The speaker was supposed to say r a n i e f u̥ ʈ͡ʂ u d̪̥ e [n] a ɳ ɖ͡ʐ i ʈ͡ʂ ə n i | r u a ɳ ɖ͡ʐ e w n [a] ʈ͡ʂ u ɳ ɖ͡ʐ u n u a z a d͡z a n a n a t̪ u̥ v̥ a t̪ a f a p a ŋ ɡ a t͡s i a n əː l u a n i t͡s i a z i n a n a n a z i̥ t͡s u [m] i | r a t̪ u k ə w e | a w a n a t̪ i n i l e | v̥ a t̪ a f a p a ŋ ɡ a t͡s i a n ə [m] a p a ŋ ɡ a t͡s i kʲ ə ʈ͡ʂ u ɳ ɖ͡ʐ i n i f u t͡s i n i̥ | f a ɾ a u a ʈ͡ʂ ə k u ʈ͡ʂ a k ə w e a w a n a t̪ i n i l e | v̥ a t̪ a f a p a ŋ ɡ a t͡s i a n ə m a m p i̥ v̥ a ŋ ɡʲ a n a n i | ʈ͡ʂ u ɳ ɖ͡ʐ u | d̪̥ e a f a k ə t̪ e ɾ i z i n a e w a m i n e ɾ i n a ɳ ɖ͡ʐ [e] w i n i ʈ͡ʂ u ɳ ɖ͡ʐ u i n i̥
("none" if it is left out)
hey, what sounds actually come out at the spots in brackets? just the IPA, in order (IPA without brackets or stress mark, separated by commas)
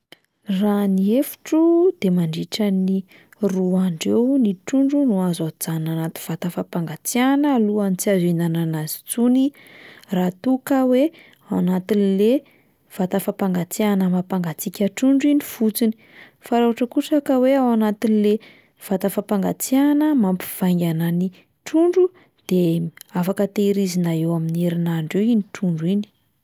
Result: m, i, n, m, e